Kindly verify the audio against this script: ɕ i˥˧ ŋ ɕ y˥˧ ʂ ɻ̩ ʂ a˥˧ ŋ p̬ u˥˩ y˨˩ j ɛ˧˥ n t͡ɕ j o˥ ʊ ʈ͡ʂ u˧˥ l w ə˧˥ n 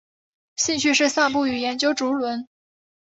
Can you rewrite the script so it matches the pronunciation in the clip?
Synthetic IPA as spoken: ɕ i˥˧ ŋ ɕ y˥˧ ʂ ɻ̩ s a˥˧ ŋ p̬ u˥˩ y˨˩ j ɛ˧˥ n t͡ɕ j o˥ ʊ ʈ͡ʂ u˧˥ l w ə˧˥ n